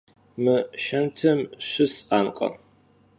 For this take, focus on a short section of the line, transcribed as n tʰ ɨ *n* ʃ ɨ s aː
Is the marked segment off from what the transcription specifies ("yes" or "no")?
yes